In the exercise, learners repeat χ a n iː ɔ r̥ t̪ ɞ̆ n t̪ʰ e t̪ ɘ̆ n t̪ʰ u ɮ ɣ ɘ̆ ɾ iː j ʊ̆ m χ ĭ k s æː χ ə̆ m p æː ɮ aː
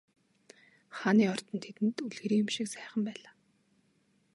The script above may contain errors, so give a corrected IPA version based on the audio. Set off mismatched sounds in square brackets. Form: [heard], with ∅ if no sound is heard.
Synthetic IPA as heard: χ a n iː ɔ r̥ t̪ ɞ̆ n t̪ʰ e t̪ ɘ̆ n [t̪] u ɮ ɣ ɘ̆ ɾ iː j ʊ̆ m [ʃ] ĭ k s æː χ ə̆ m p æː ɮ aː